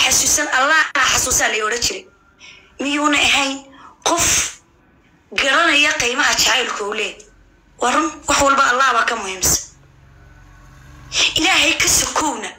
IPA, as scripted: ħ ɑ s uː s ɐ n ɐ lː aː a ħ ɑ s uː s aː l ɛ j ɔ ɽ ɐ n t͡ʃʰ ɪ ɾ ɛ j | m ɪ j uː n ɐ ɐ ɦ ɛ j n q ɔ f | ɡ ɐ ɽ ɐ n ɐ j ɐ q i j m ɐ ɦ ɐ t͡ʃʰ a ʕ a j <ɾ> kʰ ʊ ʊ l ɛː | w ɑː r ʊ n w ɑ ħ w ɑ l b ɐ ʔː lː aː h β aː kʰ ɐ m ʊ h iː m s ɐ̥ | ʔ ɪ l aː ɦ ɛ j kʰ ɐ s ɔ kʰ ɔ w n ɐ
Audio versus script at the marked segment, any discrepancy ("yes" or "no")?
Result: yes